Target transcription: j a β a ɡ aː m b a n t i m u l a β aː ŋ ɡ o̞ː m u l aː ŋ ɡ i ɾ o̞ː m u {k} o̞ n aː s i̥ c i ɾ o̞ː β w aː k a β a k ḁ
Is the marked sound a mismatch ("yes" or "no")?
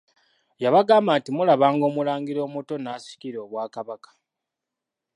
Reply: yes